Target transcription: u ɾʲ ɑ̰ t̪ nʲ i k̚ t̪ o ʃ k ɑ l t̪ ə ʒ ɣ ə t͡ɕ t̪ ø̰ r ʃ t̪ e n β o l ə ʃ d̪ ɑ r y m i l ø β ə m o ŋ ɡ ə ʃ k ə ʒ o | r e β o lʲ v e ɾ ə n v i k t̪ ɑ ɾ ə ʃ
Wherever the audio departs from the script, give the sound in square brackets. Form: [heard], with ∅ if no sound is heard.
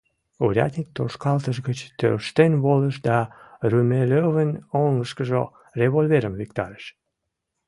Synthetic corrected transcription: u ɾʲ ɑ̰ t̪ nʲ i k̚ t̪ o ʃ k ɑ l t̪ ə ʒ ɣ ə t͡ɕ t̪ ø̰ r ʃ t̪ e n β o l ə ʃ d̪ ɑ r y m [e] l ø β ə [n] o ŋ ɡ ə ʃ k ə ʒ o | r e β o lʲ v e ɾ ə [m] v i k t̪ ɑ ɾ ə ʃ